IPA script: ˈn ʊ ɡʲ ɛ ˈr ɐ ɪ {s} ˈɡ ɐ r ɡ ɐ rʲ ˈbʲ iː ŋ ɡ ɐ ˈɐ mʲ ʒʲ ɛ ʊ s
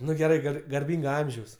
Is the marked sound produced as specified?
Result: no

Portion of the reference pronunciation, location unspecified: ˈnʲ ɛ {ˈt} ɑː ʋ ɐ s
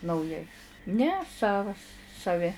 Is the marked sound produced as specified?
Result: no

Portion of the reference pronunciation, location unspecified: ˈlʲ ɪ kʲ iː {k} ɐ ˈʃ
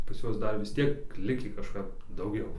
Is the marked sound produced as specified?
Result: yes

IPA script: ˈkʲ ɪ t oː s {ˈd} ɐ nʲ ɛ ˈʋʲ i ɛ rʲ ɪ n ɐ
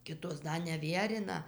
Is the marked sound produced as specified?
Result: yes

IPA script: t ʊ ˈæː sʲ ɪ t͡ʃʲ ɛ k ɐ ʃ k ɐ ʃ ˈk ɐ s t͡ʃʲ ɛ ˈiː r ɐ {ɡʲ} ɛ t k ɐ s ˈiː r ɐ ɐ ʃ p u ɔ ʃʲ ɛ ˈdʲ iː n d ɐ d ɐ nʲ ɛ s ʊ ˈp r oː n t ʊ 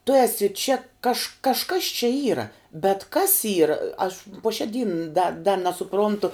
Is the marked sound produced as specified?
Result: no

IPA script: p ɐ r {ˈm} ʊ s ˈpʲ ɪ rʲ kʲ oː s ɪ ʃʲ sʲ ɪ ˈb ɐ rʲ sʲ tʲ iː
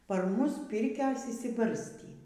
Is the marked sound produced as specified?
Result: yes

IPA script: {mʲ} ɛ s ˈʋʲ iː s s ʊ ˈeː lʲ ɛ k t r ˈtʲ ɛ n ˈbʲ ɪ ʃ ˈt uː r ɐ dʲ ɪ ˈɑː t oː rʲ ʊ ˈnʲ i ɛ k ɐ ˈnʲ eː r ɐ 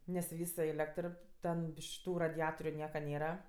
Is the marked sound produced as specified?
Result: no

